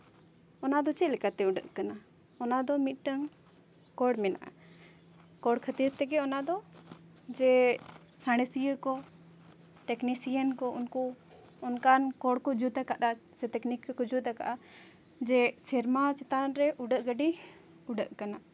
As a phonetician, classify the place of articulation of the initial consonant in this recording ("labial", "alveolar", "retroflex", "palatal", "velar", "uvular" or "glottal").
alveolar